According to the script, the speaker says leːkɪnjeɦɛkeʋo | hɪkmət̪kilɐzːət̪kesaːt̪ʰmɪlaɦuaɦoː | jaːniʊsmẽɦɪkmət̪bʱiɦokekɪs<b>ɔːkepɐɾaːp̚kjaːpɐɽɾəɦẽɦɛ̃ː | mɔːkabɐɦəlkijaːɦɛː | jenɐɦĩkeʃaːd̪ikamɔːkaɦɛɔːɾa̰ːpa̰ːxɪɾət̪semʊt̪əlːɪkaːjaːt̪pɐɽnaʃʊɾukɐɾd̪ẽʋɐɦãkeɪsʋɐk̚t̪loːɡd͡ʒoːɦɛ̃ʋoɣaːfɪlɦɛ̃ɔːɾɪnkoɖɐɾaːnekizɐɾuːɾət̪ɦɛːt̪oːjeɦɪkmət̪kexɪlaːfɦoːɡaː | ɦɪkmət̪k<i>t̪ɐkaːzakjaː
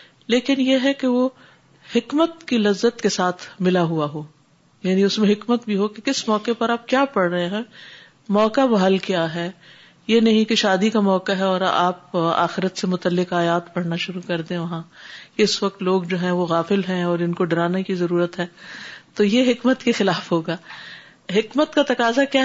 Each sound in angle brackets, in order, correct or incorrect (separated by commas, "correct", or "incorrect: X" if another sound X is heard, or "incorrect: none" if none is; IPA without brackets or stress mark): incorrect: m, incorrect: a